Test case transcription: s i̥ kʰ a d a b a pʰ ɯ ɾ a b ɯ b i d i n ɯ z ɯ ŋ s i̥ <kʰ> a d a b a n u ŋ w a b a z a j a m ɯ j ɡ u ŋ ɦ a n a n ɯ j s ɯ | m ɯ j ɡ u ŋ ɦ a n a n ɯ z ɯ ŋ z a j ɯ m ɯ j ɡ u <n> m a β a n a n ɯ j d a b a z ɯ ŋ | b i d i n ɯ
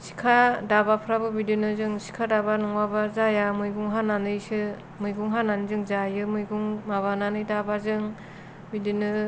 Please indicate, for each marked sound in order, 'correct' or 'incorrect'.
correct, incorrect: ŋ

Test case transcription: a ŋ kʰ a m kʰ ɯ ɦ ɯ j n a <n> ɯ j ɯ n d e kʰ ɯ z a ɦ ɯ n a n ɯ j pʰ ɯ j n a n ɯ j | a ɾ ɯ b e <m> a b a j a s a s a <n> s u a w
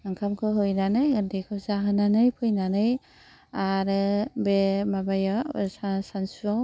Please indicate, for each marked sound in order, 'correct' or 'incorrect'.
correct, correct, correct

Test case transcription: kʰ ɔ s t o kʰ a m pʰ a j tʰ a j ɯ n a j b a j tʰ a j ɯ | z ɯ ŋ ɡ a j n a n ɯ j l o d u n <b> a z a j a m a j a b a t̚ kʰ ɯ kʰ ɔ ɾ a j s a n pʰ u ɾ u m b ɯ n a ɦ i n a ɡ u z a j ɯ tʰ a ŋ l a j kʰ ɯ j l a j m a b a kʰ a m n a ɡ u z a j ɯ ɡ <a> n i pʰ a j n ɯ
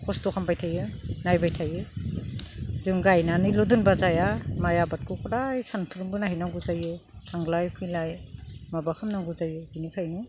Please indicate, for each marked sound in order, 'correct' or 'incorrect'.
correct, incorrect: i

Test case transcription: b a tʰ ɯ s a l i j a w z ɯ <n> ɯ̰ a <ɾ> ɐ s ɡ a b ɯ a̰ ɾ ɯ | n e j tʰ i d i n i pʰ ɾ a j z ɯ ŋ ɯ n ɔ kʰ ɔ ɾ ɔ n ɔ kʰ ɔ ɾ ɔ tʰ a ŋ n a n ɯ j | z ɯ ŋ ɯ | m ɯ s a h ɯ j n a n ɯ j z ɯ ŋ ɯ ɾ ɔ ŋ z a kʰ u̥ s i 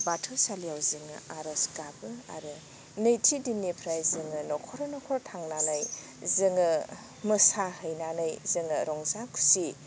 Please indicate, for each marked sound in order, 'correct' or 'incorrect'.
incorrect: ŋ, correct

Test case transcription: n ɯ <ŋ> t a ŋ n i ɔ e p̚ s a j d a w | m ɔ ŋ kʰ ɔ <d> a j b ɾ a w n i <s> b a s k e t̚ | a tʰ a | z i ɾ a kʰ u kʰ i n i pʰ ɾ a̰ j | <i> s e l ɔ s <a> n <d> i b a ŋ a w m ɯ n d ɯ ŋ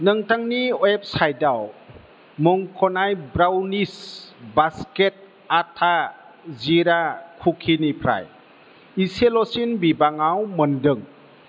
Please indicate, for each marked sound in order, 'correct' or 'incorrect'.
correct, incorrect: n, correct, correct, incorrect: i, incorrect: b

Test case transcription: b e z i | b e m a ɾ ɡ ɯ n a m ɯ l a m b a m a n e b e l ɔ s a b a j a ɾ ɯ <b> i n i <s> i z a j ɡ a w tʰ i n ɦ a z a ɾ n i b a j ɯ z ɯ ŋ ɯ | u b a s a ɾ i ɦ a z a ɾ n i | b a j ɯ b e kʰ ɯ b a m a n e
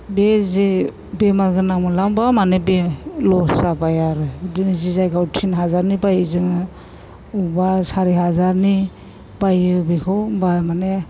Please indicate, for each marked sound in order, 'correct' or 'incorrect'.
incorrect: d, incorrect: z

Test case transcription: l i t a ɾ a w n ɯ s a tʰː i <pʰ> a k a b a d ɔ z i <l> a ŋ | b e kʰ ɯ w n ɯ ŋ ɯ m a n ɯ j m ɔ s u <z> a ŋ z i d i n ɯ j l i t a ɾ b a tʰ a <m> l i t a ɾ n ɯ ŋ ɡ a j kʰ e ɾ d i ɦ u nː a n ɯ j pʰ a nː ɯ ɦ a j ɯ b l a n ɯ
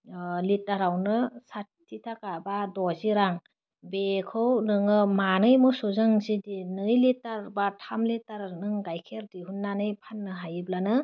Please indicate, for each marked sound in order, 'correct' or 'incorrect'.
incorrect: tʰ, incorrect: ɾ, correct, correct

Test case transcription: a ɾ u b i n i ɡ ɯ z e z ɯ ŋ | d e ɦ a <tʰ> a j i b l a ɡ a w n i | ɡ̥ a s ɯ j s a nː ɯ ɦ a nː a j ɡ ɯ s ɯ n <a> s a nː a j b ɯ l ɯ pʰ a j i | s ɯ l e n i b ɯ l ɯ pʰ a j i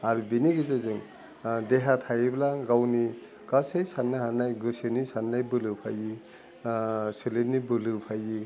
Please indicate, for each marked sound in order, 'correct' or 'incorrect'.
correct, incorrect: i

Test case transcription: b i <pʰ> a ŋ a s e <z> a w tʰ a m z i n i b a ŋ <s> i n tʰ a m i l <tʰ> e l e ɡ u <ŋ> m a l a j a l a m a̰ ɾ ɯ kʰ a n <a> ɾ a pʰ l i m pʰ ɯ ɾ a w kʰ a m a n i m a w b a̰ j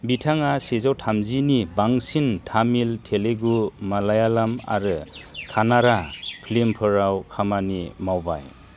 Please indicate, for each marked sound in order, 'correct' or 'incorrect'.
incorrect: tʰ, correct, correct, correct, incorrect: none, correct

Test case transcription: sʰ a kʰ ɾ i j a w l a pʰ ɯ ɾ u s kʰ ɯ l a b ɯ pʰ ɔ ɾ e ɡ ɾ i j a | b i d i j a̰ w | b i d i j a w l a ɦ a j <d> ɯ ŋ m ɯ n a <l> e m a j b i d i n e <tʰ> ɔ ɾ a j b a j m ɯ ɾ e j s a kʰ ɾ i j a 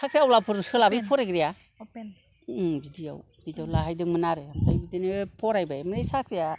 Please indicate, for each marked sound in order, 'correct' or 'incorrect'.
correct, incorrect: ɾ, incorrect: pʰ

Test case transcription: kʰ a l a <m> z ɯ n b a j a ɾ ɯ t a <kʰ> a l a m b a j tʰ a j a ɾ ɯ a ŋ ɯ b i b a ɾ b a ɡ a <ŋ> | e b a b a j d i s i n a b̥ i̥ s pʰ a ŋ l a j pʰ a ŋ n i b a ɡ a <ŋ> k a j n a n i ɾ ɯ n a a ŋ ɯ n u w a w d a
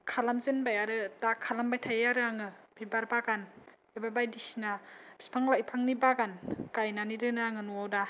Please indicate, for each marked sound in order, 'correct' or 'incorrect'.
correct, correct, incorrect: n, incorrect: n

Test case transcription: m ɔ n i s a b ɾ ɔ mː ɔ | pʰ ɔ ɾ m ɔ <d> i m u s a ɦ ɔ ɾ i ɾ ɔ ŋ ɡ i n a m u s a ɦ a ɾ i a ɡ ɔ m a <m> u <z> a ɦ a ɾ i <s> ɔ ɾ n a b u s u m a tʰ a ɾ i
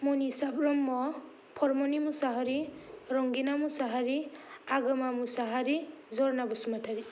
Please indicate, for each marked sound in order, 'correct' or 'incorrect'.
incorrect: n, correct, incorrect: s, incorrect: z

